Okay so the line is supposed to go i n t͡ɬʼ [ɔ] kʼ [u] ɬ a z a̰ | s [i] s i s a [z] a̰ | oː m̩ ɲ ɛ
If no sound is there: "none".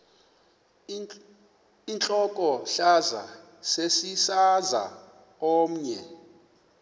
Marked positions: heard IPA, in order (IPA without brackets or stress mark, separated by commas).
ɔ, ɔ, e, z